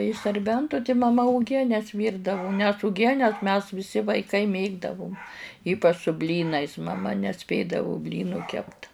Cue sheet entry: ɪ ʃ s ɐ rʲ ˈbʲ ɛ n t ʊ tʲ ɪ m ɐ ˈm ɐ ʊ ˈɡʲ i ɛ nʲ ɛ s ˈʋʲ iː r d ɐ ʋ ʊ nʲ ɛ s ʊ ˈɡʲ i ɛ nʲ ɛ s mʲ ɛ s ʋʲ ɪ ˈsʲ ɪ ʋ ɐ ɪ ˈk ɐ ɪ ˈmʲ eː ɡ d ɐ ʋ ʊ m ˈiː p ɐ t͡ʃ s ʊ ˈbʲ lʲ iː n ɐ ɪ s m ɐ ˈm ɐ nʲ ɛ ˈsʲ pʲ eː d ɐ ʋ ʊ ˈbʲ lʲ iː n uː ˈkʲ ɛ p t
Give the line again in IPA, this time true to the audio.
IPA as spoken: ɪ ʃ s ɐ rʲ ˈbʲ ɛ n t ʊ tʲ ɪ m ɐ ˈm ɐ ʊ ˈɡʲ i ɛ nʲ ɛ s ˈʋʲ iː r d ɐ ʋ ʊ nʲ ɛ s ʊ ˈɡʲ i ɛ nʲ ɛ s mʲ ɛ s ʋʲ ɪ ˈsʲ ɪ ʋ ɐ ɪ ˈk ɐ ɪ ˈmʲ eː ɡ d ɐ ʋ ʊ m ˈiː p ɐ t͡ʃ s ʊ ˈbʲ lʲ iː n ɐ ɪ s m ɐ ˈm ɐ nʲ ɛ ˈsʲ pʲ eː d ɐ ʋ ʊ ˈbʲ lʲ iː n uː ˈkʲ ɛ p t